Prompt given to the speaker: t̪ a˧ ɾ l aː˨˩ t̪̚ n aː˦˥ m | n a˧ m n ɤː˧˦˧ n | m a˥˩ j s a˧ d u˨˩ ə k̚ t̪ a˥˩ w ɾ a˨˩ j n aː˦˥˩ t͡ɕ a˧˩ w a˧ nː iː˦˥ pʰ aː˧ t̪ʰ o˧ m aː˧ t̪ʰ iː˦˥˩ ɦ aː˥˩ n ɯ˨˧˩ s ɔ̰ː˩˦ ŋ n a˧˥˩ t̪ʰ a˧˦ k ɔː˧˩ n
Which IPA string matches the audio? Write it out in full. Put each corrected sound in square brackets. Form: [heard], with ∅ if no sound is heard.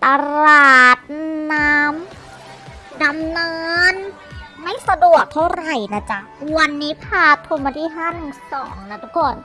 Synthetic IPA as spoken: t̪ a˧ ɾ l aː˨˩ t̪̚ n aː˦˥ m | [d] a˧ m n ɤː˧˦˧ n | m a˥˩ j s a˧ d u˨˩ ə k̚ [t̪ʰ] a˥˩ w ɾ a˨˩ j n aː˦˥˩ t͡ɕ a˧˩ w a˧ nː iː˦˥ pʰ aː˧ t̪ʰ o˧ m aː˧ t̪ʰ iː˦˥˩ ɦ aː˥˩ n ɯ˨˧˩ s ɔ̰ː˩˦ ŋ n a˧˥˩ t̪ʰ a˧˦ k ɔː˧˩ n